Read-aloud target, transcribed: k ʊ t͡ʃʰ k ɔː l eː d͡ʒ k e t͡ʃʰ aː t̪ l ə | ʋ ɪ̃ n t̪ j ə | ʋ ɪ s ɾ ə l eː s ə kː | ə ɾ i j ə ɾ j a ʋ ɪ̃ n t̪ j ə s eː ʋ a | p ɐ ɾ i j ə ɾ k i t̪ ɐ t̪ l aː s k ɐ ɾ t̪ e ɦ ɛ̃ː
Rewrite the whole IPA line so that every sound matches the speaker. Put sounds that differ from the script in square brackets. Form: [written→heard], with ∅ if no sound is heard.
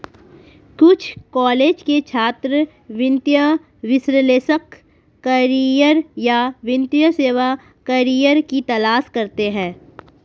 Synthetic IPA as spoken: k ʊ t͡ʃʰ k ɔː l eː d͡ʒ k e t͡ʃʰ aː t̪ [l→ɾ] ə | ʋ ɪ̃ n t̪ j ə | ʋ ɪ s ɾ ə l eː s ə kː | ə ɾ i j ə ɾ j a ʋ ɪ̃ n t̪ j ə s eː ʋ a | [p→k] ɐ ɾ i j ə ɾ k i t̪ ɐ [t̪→∅] l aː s k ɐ ɾ t̪ e ɦ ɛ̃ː